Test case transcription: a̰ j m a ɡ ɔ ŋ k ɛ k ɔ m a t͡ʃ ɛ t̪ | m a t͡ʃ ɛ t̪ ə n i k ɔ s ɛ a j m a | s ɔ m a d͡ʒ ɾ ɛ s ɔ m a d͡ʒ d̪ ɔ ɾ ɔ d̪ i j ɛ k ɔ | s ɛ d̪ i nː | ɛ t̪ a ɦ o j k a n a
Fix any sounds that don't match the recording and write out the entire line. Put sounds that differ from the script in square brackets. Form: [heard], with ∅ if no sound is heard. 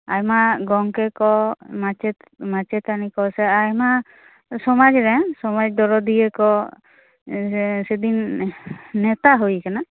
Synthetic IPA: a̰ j m a ɡ ɔ ŋ k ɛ k ɔ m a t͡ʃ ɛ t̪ | m a t͡ʃ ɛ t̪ [a] n i k ɔ s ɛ a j m a | s ɔ m a d͡ʒ ɾ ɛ s ɔ m a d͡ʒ d̪ ɔ ɾ ɔ d̪ i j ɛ k ɔ | s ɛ d̪ i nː | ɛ t̪ a ɦ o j k a n a